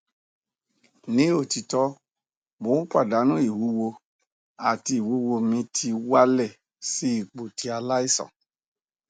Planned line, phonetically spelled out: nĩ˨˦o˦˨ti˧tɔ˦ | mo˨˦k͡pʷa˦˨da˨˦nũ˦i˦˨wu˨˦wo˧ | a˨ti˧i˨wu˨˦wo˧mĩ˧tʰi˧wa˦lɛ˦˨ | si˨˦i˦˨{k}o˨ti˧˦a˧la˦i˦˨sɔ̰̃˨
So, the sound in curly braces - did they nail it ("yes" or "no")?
no